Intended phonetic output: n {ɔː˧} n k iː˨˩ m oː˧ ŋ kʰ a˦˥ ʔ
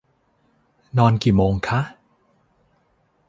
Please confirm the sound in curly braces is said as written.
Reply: yes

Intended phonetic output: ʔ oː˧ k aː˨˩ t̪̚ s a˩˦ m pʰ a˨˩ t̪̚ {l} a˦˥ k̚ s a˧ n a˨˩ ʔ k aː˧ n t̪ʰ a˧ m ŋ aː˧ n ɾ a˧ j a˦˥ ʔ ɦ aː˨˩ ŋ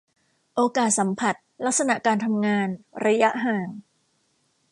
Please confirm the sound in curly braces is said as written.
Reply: yes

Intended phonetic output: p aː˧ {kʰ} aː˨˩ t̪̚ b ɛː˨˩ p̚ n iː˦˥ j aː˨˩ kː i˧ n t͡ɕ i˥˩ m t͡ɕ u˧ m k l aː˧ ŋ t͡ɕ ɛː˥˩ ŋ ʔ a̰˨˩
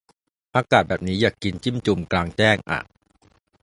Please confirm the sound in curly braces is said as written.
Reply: no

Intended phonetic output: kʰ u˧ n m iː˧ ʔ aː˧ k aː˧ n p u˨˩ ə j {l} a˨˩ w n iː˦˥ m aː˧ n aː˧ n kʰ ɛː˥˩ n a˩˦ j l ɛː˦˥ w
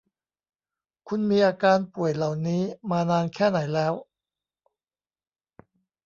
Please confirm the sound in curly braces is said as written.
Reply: yes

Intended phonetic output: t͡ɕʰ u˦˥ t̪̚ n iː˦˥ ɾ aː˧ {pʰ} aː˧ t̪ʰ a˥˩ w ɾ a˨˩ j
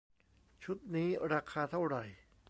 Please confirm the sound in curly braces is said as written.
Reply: no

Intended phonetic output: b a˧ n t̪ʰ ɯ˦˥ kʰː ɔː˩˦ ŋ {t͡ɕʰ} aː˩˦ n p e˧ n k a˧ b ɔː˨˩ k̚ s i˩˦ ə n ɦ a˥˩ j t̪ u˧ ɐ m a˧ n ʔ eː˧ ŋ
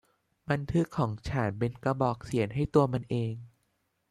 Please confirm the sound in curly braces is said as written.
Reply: yes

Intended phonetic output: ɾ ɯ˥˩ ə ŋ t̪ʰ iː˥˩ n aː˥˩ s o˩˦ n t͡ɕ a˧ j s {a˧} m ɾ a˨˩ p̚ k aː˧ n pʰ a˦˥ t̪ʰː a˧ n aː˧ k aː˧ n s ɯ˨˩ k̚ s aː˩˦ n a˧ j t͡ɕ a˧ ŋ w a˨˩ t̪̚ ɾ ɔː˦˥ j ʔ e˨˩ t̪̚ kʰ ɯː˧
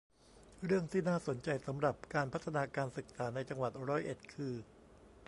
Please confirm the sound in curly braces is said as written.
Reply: no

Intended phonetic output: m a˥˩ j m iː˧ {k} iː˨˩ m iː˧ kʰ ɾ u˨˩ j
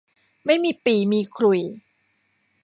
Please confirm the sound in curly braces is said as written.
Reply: no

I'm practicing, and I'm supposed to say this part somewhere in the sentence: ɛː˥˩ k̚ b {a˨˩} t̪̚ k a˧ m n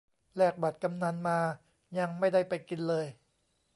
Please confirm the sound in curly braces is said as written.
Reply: yes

